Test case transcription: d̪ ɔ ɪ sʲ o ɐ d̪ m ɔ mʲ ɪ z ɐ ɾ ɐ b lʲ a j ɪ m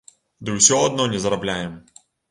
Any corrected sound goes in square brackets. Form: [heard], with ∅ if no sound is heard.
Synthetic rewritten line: d̪ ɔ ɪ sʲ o ɐ d̪ [n] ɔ [nʲ] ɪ z ɐ ɾ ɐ b lʲ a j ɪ m